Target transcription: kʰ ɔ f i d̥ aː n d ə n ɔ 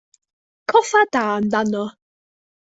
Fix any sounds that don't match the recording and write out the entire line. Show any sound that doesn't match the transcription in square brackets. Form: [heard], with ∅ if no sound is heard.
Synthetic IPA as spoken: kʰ ɔ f [a] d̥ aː n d [a] n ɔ